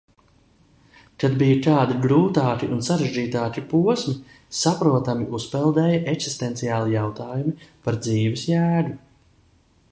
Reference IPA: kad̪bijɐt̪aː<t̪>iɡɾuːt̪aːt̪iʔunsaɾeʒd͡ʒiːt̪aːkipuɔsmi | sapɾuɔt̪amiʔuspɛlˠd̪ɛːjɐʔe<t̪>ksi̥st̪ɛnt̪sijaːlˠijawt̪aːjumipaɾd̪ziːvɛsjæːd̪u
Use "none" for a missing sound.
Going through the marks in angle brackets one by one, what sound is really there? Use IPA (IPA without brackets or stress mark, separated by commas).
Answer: d̪, none